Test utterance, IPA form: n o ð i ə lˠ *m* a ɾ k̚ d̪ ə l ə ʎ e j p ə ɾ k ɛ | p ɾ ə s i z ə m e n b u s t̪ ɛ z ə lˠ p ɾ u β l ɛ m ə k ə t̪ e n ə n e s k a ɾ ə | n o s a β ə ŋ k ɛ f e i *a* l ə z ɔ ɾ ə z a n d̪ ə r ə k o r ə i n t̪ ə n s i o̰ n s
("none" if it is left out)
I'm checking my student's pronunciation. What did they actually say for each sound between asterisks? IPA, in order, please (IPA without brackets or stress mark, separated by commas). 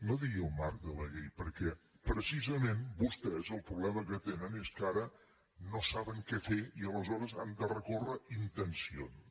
m, ə